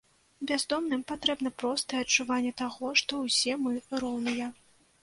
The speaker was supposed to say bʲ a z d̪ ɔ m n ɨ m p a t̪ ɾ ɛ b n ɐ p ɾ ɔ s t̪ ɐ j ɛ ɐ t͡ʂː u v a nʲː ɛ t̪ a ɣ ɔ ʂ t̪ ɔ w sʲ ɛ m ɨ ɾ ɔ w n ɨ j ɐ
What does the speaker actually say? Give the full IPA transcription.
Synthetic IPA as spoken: bʲ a z d̪ ɔ m n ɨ m p a t̪ ɾ ɛ b n ɐ p ɾ ɔ s t̪ ɐ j ɛ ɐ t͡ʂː u v a nʲː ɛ t̪ a ɣ ɔ ʂ t̪ ɔ w sʲ ɛ m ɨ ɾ ɔ w n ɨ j ɐ